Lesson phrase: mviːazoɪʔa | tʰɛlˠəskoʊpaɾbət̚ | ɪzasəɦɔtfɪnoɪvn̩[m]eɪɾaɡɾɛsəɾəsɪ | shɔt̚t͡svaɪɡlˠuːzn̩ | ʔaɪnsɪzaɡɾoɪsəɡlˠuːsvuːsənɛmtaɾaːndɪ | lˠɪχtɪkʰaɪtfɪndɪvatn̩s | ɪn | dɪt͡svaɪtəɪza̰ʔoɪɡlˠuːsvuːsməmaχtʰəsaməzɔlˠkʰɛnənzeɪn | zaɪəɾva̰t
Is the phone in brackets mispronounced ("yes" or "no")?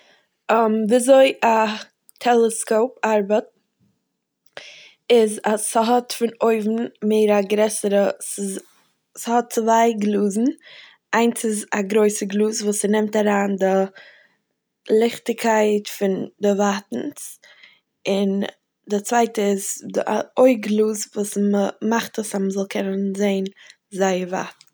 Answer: no